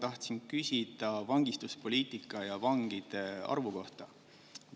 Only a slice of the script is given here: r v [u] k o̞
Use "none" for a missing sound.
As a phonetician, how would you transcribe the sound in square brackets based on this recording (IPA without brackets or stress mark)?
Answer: u